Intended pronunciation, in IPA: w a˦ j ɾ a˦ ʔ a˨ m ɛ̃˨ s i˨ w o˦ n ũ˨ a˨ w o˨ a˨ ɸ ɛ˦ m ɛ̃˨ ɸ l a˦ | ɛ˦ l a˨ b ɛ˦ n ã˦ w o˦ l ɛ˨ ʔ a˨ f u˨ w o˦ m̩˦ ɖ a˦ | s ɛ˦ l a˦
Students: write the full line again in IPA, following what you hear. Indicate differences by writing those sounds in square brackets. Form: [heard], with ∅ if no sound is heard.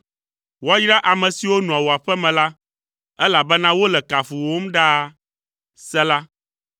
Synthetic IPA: w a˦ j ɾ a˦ ʔ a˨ m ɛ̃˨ s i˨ w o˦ n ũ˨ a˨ w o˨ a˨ ɸ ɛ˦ m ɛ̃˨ [∅] l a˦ | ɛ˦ l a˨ b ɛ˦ n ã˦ w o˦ l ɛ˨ [k] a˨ f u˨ w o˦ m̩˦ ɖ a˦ | s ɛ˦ l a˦

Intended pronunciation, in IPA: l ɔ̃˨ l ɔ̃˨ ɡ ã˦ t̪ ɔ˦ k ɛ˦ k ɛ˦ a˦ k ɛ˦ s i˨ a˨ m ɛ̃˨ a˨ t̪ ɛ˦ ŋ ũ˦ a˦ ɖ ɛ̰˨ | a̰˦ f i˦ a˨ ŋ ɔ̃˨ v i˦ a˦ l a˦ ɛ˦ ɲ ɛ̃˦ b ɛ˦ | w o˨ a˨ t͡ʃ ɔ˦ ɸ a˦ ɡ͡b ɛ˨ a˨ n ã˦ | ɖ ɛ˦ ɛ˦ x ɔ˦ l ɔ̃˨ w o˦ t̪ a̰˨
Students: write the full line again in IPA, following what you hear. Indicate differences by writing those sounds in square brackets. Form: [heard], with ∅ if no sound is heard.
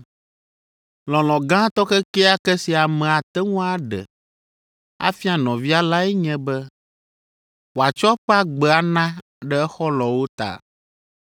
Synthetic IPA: l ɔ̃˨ l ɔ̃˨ ɡ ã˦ t̪ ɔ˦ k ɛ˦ k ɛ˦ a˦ k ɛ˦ s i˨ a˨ m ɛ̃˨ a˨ t̪ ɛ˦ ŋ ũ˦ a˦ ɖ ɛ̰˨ | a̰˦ f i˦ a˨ [n] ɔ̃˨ v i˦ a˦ l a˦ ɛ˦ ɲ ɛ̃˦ b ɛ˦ | w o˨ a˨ t͡ʃ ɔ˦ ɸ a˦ ɡ͡b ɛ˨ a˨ n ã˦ | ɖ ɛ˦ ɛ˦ x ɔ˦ l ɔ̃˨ w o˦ t̪ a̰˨

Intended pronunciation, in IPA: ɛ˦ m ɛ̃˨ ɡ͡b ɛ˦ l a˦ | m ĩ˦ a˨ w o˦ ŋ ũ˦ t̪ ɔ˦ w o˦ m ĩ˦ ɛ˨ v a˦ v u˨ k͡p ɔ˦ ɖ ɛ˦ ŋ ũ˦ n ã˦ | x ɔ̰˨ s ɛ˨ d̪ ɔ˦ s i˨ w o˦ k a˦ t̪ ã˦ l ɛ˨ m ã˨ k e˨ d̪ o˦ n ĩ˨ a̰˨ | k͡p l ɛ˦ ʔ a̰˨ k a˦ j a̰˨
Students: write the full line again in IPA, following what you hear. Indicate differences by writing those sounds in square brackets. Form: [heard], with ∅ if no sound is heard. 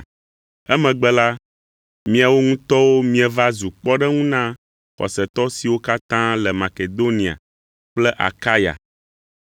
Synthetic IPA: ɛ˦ m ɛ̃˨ ɡ͡b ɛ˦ l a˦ | m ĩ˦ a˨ w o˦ ŋ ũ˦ t̪ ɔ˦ w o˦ m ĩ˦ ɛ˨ v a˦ [z] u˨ k͡p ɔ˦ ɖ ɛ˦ ŋ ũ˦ n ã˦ | x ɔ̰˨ s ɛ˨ [t̪] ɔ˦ s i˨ w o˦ k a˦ t̪ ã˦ l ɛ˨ m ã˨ k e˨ d̪ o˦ n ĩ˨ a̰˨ | k͡p l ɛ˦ ʔ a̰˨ k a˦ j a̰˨

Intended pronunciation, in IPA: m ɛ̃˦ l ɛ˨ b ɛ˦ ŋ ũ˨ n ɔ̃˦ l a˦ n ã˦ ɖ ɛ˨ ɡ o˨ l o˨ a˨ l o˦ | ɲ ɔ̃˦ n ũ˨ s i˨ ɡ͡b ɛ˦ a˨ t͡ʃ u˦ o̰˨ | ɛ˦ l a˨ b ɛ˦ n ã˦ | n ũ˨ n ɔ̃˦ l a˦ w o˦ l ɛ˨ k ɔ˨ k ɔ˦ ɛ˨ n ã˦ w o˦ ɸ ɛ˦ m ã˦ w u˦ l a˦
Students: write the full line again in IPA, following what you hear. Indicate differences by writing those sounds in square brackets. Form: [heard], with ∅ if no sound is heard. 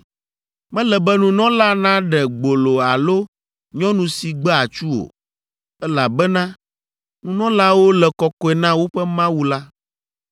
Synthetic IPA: m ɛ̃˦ l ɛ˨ b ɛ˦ [n] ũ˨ n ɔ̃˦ l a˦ n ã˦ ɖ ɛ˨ [ɡ͡b] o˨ l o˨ a˨ l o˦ | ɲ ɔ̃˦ n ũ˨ s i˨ ɡ͡b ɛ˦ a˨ t͡ʃ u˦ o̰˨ | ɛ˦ l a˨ b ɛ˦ n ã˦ | n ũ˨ n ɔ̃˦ l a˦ w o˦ l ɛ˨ k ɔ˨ k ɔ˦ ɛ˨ n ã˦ w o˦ ɸ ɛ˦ m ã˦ w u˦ l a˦

